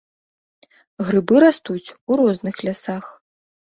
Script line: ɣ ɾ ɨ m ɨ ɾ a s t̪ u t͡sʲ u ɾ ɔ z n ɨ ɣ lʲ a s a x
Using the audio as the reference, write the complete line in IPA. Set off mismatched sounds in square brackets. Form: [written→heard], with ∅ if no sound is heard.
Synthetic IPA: ɣ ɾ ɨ [m→b] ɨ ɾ a s t̪ u t͡sʲ u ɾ ɔ z n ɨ [ɣ→x] lʲ a s a x